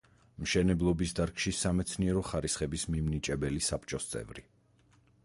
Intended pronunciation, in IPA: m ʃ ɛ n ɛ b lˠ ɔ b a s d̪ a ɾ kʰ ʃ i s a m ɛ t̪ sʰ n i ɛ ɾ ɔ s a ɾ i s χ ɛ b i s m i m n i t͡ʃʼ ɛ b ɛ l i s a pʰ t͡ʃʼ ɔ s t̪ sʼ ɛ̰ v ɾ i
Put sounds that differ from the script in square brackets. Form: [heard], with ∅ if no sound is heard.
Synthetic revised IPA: m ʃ ɛ n ɛ b lˠ ɔ b [i] s d̪ a ɾ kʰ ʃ i s a m ɛ t̪ sʰ n i ɛ ɾ ɔ [χ] a ɾ i s χ ɛ b i s m i m n i t͡ʃʼ ɛ b ɛ l i s a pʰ t͡ʃʼ ɔ s t̪ sʼ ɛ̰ v ɾ i

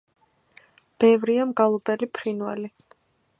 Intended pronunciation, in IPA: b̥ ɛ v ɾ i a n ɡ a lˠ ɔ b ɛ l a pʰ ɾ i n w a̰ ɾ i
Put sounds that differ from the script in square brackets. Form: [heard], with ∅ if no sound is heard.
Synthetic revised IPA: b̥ ɛ v ɾ i a [m] ɡ a lˠ ɔ b ɛ l [i] pʰ ɾ i n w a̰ [l] i

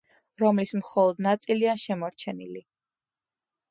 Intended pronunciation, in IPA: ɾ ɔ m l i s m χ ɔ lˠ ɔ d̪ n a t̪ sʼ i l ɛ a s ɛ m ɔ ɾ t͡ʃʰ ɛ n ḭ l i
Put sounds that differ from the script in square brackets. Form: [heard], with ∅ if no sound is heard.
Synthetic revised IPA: ɾ ɔ m l i s m χ ɔ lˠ ɔ d̪ n a t̪ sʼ i l [i] a [ʃ] ɛ m ɔ ɾ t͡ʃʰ ɛ n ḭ l i

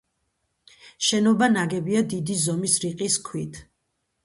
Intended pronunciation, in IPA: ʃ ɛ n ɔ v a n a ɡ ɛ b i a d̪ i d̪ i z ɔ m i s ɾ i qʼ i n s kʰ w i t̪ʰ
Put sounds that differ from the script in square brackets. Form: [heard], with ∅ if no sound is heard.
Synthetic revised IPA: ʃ ɛ n ɔ [b] a n a ɡ ɛ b i a d̪ i d̪ i z ɔ m i s ɾ i qʼ i [∅] s kʰ w i t̪ʰ

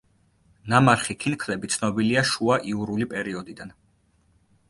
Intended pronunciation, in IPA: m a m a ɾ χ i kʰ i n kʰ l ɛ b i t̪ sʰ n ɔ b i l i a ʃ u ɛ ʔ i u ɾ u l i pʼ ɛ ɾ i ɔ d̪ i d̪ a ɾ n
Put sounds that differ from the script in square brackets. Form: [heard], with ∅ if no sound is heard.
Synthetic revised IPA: [n] a m a ɾ χ i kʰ i n kʰ l ɛ b i t̪ sʰ n ɔ b i l i a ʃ u [a] ʔ i u ɾ u l i pʼ ɛ ɾ i ɔ d̪ i d̪ a [∅] n

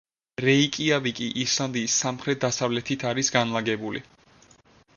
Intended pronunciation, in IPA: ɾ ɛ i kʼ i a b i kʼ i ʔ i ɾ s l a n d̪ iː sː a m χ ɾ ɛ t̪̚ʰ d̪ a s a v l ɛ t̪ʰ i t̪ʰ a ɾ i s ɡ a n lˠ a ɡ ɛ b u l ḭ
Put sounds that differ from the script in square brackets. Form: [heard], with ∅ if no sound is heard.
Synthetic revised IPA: ɾ ɛ i kʼ i a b i kʼ i ʔ i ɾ s l a n d̪ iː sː a m χ ɾ ɛ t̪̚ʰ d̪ a s a v l ɛ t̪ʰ i t̪ʰ a ɾ i s ɡ a n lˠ a ɡ ɛ b u l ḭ

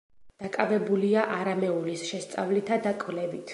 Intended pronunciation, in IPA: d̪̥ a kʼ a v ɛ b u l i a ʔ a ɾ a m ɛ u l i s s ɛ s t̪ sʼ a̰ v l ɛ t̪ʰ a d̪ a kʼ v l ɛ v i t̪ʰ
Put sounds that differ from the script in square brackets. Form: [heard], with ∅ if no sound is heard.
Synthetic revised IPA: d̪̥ a kʼ a v ɛ b u l i a ʔ a ɾ a m ɛ u l i s [ʃ] ɛ s t̪ sʼ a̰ v l [i] t̪ʰ a d̪ a kʼ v l ɛ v i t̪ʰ

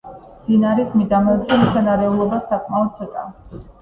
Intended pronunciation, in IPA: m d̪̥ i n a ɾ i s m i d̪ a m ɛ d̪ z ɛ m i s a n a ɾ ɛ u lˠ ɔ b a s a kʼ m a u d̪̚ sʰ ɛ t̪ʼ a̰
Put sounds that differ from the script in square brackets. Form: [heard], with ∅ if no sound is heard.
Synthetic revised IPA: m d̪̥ i n a ɾ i s m i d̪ a m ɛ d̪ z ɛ m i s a n a ɾ ɛ u lˠ ɔ b a s a kʼ m a [ɔ] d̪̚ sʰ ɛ t̪ʼ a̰

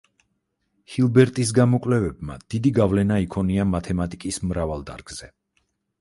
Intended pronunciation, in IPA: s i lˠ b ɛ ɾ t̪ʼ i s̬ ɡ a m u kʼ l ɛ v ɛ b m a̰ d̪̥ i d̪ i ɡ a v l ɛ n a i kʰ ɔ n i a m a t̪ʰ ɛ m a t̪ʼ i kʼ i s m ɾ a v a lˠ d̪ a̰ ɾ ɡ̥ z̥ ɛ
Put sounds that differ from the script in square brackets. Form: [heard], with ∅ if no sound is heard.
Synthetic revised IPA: [h] i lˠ b ɛ ɾ t̪ʼ i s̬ ɡ a m [ɔ] kʼ l ɛ v ɛ b m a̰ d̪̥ i d̪ i ɡ a v l ɛ n a i kʰ ɔ n i a m a t̪ʰ ɛ m a t̪ʼ i kʼ i s m ɾ a v a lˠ d̪ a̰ ɾ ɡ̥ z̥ ɛ

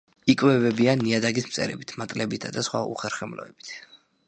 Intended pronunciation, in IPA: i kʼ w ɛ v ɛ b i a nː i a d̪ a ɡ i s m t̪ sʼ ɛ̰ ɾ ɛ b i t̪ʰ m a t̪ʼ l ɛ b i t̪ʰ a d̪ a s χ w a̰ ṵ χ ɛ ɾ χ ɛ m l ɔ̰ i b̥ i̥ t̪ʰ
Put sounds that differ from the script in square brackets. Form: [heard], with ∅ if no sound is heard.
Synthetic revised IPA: i kʼ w ɛ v ɛ b i a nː i a d̪ a ɡ i s m t̪ sʼ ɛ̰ ɾ ɛ b i t̪ʰ m a t̪ʼ l ɛ b i t̪ʰ a d̪ a s χ w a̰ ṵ χ ɛ ɾ χ ɛ m l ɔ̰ [ɛ] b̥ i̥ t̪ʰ

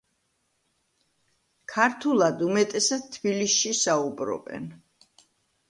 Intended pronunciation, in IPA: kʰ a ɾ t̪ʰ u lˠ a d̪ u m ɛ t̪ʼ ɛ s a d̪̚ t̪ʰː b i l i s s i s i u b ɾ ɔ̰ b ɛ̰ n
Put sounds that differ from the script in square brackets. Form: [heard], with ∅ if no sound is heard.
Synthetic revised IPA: kʰ a ɾ t̪ʰ u lˠ a d̪ u m ɛ t̪ʼ ɛ s a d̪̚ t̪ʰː b i l i s [ʃ] i s [a] u b ɾ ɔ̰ b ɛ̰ n

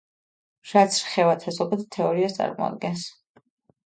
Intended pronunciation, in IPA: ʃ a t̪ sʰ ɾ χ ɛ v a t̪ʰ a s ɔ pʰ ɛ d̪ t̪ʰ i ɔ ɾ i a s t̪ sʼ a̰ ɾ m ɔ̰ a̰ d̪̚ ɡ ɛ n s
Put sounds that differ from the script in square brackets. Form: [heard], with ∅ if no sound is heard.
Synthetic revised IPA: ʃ a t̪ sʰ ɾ χ ɛ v a t̪ʰ a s ɔ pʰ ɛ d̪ t̪ʰ [ɛ] ɔ ɾ i a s t̪ sʼ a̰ ɾ m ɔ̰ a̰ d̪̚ ɡ ɛ n s

